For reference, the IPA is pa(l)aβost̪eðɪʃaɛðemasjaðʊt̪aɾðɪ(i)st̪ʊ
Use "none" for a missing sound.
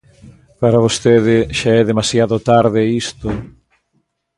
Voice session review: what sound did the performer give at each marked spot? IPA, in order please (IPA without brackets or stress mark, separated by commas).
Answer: ɾ, i